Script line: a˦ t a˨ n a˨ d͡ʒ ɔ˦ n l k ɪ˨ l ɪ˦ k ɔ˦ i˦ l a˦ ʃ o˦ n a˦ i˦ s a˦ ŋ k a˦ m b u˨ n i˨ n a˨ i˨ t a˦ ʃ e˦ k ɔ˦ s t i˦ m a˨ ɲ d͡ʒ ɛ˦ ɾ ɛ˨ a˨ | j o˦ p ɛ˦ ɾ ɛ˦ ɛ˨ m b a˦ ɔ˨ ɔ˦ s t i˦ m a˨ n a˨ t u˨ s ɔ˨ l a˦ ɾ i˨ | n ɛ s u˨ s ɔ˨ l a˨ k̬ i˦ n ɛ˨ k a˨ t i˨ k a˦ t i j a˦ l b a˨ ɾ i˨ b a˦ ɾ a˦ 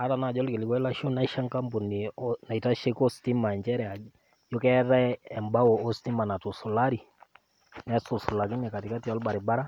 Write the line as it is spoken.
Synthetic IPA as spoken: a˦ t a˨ n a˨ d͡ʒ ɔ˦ l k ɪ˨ l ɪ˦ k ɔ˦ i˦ l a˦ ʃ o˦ n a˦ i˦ ʃ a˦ ŋ k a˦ m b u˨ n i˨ n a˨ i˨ t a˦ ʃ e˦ k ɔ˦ s t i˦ m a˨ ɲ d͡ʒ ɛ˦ ɾ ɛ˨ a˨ | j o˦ k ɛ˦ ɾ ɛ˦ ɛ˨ m b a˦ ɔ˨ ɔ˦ s t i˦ m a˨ n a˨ t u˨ s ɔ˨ l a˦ ɾ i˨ | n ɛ s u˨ s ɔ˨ l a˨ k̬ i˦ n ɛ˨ k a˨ t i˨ k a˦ t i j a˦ l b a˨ ɾ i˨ b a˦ ɾ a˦